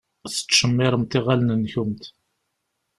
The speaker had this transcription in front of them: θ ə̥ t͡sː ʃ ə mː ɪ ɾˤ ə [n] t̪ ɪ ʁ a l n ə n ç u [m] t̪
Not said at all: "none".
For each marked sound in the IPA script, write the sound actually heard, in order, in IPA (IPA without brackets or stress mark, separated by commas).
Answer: m, m